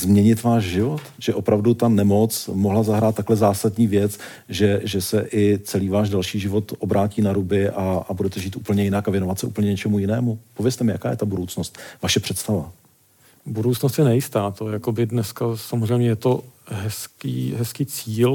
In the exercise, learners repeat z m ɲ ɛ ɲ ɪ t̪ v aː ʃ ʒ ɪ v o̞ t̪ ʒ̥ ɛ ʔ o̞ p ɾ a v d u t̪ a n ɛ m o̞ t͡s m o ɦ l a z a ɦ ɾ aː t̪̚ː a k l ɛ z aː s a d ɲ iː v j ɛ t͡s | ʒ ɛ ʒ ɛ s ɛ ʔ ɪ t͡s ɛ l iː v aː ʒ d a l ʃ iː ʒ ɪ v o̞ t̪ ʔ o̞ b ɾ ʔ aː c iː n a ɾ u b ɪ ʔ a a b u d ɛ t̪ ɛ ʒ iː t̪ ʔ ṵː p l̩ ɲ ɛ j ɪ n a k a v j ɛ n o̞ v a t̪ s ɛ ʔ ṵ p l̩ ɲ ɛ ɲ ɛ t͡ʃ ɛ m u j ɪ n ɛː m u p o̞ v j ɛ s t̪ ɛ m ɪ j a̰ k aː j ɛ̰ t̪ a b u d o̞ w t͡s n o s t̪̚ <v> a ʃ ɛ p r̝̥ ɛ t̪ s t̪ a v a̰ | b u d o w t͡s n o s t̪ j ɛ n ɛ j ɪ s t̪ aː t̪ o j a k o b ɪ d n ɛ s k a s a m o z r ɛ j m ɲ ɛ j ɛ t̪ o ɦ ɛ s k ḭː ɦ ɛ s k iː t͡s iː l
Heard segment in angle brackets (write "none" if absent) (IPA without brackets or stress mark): v